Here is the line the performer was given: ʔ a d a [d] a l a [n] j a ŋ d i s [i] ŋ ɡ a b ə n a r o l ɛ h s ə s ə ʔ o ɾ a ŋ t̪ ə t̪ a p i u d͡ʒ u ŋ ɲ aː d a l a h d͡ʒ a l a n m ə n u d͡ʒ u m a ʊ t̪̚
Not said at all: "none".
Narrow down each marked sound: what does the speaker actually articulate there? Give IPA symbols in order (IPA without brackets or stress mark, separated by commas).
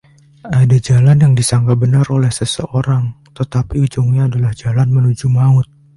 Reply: d͡ʒ, n, a